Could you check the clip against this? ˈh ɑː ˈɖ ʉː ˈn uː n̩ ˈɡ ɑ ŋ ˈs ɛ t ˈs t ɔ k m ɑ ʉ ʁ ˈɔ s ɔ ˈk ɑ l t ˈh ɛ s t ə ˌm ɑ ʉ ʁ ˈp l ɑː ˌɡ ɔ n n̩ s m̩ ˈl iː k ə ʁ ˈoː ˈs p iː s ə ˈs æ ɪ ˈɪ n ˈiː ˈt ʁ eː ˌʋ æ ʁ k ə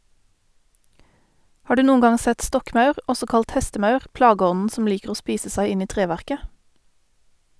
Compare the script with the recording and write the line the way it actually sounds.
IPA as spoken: ˈh ɑː ˈɖ ʉː ˈn uː n̩ ˈɡ ɑ ŋ ˈs ɛ t ˈs t ɔ k m ɑ ʉ ʁ ˈɔ s ɔ ˈk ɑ l t ˈh ɛ s t ə ˌm ɑ ʉ ʁ ˈp l ɑː ˌɡ ɔ n n̩ s m̩ ˈl iː k ə ʁ ˈoː ˈs p iː s ə ˈs æ ɪ ˈɪ n ˈiː ˈt ʁ eː ˌʋ æ ʁ k ə